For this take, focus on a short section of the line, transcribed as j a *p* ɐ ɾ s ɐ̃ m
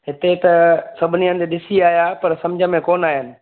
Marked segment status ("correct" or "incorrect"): correct